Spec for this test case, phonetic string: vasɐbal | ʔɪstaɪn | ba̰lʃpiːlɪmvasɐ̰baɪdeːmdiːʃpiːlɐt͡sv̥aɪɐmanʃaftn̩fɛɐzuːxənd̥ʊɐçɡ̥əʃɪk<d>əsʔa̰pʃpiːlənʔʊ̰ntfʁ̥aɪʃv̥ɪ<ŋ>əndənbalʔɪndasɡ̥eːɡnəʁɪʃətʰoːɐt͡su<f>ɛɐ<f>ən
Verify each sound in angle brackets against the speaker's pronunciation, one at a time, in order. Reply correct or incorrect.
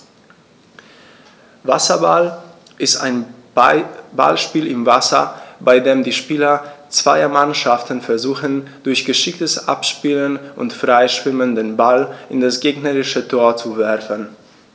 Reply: incorrect, incorrect, incorrect, correct

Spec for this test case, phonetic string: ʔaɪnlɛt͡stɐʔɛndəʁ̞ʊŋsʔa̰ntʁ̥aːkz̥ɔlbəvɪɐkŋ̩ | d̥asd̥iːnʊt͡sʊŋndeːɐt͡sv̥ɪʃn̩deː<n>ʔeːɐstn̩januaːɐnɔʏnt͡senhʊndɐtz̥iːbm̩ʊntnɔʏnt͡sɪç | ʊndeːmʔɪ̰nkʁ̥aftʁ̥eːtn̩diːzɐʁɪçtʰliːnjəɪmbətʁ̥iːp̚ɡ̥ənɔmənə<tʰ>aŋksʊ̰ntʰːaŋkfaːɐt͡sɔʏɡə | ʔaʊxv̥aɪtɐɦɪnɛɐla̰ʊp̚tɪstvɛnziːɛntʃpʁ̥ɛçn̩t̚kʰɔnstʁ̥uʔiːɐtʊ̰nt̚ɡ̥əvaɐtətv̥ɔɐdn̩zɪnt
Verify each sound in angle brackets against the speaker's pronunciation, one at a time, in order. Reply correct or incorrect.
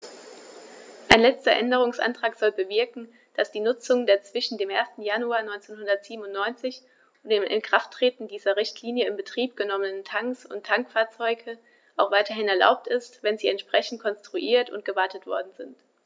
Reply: incorrect, correct

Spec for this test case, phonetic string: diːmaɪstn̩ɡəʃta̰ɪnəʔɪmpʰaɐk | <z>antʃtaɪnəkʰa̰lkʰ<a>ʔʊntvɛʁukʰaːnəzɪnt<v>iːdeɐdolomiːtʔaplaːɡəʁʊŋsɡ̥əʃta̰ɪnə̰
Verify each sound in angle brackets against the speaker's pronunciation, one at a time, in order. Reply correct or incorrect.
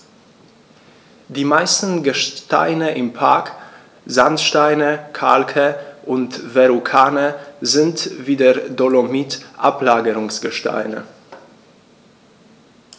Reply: correct, incorrect, correct

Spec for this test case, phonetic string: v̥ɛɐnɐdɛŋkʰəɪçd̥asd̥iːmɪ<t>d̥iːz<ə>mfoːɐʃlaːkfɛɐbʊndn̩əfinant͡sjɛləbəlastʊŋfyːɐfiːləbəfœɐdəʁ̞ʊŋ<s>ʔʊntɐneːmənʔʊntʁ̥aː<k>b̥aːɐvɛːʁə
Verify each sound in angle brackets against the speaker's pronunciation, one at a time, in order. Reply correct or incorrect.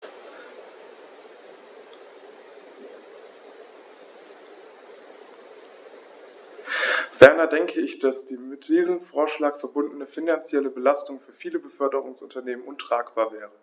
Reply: correct, correct, correct, correct

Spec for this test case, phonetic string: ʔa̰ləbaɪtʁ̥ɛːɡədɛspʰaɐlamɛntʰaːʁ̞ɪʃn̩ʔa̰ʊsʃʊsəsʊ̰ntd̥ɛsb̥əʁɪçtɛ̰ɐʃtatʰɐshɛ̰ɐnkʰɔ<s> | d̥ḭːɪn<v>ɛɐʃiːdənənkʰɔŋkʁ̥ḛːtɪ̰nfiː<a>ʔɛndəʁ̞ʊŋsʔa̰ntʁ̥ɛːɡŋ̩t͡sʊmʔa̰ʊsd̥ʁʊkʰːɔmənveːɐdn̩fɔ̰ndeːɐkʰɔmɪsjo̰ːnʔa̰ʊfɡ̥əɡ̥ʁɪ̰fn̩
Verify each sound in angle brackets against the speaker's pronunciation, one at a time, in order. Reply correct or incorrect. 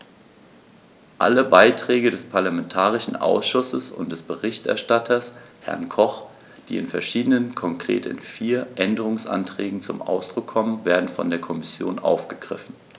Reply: incorrect, incorrect, incorrect

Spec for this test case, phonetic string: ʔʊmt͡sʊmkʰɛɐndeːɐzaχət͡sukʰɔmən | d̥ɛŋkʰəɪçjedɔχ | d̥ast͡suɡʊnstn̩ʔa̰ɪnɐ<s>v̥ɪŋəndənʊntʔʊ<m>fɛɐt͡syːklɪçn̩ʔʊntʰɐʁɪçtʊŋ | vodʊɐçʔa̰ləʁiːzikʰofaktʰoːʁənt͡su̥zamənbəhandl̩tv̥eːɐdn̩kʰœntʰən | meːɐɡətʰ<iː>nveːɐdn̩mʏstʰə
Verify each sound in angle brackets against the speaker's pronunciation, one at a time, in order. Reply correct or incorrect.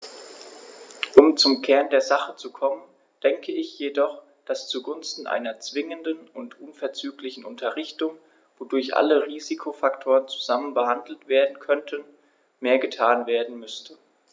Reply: incorrect, incorrect, incorrect

